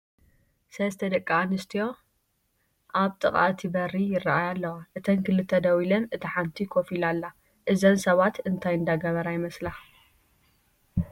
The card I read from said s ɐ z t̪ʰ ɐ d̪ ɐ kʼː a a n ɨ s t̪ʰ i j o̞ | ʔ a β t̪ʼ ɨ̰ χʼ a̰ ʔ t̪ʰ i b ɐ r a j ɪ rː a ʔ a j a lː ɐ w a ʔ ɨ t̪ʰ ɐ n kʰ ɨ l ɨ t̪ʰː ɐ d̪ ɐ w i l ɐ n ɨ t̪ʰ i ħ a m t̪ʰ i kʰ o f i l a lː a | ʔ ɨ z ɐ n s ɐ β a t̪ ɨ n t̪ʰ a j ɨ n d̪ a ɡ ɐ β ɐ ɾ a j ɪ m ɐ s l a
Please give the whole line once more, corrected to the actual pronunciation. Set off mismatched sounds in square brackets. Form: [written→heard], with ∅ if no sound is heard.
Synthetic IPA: s ɐ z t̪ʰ ɐ d̪ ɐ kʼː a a n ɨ s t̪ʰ i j o̞ | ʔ a β t̪ʼ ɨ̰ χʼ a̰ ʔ t̪ʰ i b ɐ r [a→i] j ɪ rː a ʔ a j a lː ɐ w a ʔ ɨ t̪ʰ ɐ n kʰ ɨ l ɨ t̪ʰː ɐ d̪ ɐ w i l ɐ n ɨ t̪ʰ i ħ a [m→n] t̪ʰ i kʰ o f i l a lː a | ʔ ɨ z ɐ n s ɐ β a t̪ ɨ n t̪ʰ a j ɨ n d̪ a ɡ ɐ β ɐ ɾ a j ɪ m ɐ s l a

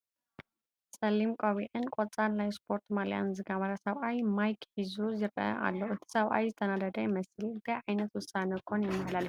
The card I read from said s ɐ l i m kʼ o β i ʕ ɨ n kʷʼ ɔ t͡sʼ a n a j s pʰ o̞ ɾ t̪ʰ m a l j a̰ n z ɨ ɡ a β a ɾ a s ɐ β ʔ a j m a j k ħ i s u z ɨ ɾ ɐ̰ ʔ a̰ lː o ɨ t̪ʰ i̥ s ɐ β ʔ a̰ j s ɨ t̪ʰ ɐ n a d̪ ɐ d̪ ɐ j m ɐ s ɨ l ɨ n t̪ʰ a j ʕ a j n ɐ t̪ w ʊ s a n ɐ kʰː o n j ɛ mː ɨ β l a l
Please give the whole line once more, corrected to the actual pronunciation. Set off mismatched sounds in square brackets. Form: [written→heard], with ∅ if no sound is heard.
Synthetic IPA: s ɐ l i m kʼ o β i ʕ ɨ n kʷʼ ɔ t͡sʼ a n a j s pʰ o̞ ɾ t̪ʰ m a l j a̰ n z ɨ ɡ a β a ɾ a s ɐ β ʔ a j m a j k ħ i [s→z] u z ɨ ɾ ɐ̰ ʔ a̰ lː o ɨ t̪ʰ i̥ s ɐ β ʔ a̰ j [s→z] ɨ t̪ʰ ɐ n a d̪ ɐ d̪ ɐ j m ɐ s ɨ l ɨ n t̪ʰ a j ʕ a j n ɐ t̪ w ʊ s a n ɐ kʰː o n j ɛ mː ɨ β l a l

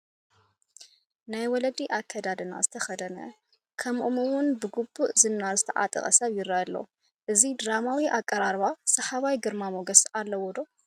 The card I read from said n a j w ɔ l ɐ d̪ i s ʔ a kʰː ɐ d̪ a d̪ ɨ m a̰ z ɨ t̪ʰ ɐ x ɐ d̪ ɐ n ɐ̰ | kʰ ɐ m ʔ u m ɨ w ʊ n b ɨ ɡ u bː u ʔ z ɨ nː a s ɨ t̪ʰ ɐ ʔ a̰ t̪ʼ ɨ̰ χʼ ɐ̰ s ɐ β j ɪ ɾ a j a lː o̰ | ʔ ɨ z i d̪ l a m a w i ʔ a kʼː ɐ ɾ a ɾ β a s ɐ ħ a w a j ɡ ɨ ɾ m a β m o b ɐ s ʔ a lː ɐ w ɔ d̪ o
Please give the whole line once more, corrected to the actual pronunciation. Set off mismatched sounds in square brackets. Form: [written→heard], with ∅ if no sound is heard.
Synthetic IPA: n a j w ɔ l ɐ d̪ i [s→∅] ʔ a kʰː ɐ d̪ a d̪ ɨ [m→n] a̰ z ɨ t̪ʰ ɐ x ɐ d̪ ɐ n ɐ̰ | kʰ ɐ m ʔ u m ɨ w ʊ n b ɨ ɡ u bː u ʔ z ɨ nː a [s→z] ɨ t̪ʰ ɐ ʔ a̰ t̪ʼ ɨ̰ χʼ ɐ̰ s ɐ β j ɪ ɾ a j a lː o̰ | ʔ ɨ z i d̪ [l→ɾ] a m a w i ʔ a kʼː ɐ ɾ a ɾ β a s ɐ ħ a [w→β] a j ɡ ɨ ɾ m a [β→∅] m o [b→ɡ] ɐ s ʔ a lː ɐ w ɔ d̪ o

